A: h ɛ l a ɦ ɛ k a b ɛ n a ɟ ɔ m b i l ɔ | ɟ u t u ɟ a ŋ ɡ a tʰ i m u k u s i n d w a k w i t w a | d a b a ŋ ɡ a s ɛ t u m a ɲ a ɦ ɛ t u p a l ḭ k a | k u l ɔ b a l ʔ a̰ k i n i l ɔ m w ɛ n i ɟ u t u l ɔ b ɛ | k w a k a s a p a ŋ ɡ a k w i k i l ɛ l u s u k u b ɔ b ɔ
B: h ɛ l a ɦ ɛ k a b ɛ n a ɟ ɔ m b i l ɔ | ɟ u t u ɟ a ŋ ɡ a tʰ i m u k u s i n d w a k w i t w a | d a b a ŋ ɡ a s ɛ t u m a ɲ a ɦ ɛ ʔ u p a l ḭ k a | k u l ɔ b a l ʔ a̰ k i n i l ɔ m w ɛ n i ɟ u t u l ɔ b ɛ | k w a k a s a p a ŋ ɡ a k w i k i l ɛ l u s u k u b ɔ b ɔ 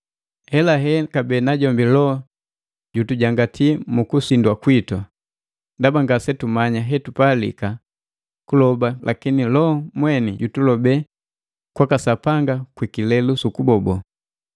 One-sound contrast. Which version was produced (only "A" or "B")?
A